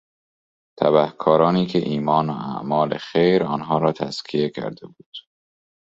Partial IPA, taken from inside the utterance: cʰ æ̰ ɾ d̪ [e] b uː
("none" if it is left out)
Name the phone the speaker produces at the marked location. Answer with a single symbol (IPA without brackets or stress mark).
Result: e